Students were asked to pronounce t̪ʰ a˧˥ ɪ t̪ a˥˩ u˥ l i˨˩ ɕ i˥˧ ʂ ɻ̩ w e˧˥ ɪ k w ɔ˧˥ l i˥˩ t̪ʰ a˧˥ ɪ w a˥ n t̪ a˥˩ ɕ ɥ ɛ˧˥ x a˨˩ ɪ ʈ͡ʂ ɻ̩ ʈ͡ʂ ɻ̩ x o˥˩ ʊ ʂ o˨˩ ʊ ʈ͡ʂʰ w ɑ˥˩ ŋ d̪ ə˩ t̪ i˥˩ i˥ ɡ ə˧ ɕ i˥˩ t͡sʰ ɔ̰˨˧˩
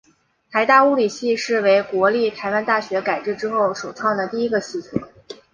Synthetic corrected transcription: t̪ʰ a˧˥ ɪ t̪ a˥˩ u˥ l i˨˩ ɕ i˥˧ ʂ ɻ̩ w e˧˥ ɪ k w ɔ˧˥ l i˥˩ t̪ʰ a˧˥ ɪ w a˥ n t̪ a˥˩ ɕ ɥ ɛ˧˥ k a˨˩ ɪ ʈ͡ʂ ɻ̩ ʈ͡ʂ ɻ̩ x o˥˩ ʊ ʂ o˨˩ ʊ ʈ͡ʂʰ w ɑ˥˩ ŋ d̪ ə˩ t̪ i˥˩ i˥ ɡ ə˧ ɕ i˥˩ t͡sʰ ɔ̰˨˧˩

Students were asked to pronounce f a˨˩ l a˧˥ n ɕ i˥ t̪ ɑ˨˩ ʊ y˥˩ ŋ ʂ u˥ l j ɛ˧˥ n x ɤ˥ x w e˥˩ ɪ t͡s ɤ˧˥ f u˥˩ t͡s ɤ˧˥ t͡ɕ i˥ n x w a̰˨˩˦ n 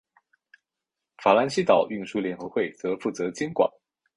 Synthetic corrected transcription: f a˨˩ l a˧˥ n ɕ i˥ t̪ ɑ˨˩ ʊ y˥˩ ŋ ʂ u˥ l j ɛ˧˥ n x ɤ˧˥ x w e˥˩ ɪ t͡s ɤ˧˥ f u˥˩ t͡s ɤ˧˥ t͡ɕ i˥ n k w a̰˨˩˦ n

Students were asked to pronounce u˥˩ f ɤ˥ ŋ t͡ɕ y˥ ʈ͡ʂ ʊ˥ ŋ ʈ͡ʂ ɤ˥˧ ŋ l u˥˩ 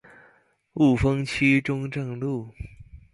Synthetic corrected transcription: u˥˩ f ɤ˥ ŋ t͡ɕʰ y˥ ʈ͡ʂ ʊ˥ ŋ ʈ͡ʂ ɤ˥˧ ŋ l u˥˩

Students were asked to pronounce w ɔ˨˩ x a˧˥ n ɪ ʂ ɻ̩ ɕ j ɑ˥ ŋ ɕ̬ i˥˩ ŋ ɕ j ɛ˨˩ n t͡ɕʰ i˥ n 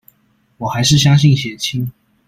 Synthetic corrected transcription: w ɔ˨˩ x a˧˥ ɪ ʂ ɻ̩ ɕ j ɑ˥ ŋ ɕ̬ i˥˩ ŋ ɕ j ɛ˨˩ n t͡ɕʰ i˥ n

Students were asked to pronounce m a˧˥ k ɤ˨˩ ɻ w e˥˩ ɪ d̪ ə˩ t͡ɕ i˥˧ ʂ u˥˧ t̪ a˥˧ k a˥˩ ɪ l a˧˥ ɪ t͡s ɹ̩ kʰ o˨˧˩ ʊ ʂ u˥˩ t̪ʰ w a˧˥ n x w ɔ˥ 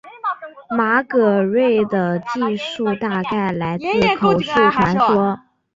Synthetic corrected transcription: m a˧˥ k ɤ˨˩ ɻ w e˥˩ ɪ d̪ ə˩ t͡ɕ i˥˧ ʂ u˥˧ t̪ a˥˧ k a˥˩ ɪ l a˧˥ ɪ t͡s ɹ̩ kʰ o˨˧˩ ʊ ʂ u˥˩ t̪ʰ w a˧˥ n ʂ w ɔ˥

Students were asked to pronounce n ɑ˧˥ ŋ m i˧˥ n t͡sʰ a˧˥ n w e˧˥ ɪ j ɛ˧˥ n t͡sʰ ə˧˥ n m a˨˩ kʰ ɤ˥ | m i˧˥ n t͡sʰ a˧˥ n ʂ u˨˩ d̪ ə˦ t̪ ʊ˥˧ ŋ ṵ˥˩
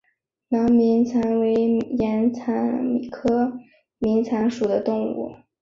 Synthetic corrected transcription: n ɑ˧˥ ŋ m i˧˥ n t͡sʰ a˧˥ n w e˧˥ ɪ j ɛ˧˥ n t͡sʰ a˧˥ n m i˨˩ kʰ ɤ˥ | m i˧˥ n t͡sʰ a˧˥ n ʂ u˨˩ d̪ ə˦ t̪ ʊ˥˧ ŋ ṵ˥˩

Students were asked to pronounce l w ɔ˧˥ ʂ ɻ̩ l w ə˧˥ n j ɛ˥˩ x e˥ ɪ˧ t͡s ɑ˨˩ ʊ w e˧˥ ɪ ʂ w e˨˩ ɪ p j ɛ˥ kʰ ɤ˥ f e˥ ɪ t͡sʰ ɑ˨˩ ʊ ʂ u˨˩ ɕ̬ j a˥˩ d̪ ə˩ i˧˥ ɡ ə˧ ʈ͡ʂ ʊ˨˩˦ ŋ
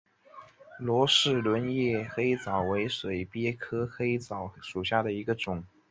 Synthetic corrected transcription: l w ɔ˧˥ ʂ ɻ̩ l w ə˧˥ n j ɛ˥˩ x e˥ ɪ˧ t͡s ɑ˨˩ ʊ w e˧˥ ɪ ʂ w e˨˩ ɪ p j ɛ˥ kʰ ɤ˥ x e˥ ɪ t͡s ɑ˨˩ ʊ ʂ u˨˩ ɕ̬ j a˥˩ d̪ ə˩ i˧˥ ɡ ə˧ ʈ͡ʂ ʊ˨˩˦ ŋ

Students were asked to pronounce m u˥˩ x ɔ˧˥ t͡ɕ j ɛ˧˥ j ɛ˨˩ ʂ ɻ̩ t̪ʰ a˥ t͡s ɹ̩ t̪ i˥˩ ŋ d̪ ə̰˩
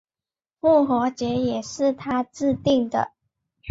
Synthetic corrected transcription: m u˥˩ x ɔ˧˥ t͡ɕ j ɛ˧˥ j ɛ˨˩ ʂ ɻ̩ t̪ʰ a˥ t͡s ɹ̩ t̪ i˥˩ ŋ d̪ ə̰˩

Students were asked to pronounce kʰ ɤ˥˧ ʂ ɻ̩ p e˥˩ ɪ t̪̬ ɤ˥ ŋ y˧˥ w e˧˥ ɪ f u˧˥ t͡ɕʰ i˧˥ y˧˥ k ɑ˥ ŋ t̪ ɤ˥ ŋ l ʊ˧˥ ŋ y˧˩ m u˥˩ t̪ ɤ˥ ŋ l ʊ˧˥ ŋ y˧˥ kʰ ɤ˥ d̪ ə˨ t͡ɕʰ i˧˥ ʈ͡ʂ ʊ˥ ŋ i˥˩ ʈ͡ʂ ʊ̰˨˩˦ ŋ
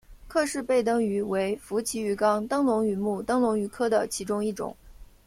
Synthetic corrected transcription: kʰ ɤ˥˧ ʂ ɻ̩ p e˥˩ ɪ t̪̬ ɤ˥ ŋ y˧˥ w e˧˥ ɪ f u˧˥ t͡ɕʰ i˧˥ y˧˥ k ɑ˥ ŋ t̪ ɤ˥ ŋ l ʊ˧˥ ŋ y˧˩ m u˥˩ t̪ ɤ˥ ŋ l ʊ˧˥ ŋ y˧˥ kʰ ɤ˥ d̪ ə˨ t͡ɕʰ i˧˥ ʈ͡ʂ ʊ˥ ŋ i˥˩ ʈ͡ʂ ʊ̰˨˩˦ ŋ

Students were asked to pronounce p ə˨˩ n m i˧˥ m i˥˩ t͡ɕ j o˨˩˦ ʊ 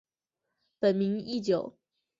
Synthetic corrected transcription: p ə˨˩ n m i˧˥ ŋ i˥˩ t͡ɕ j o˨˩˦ ʊ

